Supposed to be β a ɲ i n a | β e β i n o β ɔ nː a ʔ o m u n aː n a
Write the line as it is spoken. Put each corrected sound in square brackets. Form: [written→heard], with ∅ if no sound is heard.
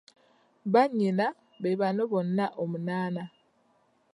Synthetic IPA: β a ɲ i n a | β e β [i→a] n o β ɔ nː a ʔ o m u n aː n a